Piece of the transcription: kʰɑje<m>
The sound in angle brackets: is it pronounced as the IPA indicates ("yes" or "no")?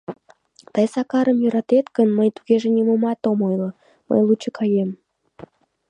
yes